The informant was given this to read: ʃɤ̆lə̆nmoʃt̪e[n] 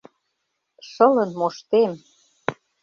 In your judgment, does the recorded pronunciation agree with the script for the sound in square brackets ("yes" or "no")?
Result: no